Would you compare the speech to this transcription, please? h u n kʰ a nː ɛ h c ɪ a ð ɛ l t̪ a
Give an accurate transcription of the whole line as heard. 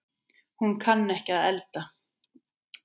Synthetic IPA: h u n kʰ a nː ɛ h c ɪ a ð ɛ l t̪ a